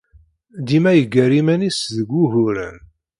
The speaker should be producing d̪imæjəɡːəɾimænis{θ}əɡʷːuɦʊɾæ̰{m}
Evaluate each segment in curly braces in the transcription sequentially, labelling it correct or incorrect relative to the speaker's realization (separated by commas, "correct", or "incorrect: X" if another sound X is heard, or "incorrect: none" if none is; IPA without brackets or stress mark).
incorrect: ð, incorrect: n